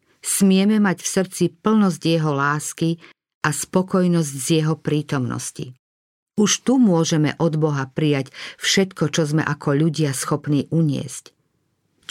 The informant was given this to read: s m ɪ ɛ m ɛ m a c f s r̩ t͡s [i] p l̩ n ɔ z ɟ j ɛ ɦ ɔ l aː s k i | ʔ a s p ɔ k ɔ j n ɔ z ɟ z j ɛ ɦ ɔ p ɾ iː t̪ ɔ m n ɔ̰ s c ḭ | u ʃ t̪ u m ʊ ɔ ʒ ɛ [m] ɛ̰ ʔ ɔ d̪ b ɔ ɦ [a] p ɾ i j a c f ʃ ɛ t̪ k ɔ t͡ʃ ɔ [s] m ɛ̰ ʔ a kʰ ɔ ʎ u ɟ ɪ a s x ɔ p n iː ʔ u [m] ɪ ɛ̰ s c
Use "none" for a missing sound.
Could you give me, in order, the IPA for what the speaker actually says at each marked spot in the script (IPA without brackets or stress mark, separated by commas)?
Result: i, m, a, z, ɲ